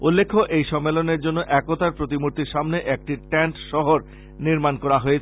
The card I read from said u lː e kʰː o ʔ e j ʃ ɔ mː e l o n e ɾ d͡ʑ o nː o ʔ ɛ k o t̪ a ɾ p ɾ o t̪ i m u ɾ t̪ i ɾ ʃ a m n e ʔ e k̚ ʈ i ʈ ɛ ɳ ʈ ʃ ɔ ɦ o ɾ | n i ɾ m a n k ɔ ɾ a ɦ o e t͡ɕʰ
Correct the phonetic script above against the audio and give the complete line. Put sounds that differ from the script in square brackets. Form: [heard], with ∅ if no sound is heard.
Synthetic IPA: u lː e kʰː o ʔ e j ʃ ɔ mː e l o n e ɾ d͡ʑ o nː o ʔ ɛ k o t̪ a ɾ p ɾ o t̪ i m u ɾ t̪ i ɾ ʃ a m n e ʔ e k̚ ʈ i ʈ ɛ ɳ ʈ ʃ ɔ ɦ o ɾ | n i ɾ m a n k ɔ ɾ a ɦ o e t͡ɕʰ